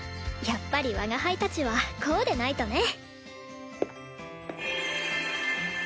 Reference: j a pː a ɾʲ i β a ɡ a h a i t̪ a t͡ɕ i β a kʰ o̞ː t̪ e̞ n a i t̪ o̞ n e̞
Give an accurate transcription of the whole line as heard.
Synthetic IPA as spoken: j a pː a ɾʲ i β a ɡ a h a i t̪ a t͡ɕ i β a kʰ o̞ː d̪ e̞ n a i t̪ o̞ n e̞